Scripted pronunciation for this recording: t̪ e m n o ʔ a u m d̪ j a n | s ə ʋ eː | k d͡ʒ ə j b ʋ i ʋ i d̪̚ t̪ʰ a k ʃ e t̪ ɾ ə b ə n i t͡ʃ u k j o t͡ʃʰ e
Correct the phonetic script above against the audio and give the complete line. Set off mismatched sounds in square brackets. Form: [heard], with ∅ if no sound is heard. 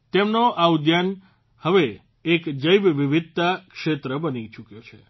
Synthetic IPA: t̪ e m n o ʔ a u [∅] d̪ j a n | [h] ə ʋ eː | k d͡ʒ ə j b ʋ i ʋ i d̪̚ [t̪] a k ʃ e t̪ ɾ ə b ə n i t͡ʃ u k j o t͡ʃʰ e